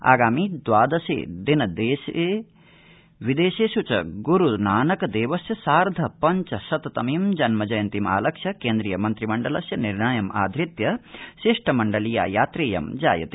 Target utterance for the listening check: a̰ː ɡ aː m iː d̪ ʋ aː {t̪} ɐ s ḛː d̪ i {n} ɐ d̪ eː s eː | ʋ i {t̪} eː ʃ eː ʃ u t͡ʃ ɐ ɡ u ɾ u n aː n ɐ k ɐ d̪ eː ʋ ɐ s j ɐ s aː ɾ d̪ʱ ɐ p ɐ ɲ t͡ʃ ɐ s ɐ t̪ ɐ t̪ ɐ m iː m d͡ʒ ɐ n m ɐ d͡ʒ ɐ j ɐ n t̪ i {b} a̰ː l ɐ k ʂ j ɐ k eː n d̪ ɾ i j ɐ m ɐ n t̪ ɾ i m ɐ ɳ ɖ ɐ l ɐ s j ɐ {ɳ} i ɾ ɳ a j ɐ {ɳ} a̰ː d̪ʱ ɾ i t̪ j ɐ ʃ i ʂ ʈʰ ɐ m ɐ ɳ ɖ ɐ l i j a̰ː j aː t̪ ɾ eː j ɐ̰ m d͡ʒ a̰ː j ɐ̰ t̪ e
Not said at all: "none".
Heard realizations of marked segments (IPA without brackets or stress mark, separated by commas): d̪, n, d̪, m, n, m